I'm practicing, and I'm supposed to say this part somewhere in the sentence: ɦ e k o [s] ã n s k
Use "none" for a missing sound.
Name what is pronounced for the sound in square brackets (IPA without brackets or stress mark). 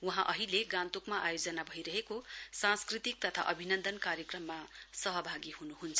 s